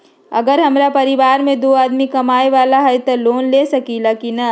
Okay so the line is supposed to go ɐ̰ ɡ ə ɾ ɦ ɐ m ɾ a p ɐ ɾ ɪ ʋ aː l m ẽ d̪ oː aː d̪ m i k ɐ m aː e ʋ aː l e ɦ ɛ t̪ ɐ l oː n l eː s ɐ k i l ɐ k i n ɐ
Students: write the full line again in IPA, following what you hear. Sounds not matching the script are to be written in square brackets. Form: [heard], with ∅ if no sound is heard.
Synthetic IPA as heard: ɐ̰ ɡ ə ɾ ɦ ɐ m ɾ a p ɐ ɾ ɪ ʋ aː [ɾ] m ẽ d̪ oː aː d̪ m i k ɐ m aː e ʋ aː l [a] ɦ ɛ t̪ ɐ l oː n l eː s ɐ k i l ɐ k i n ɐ